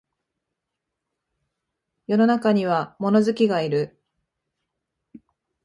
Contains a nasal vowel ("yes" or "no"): no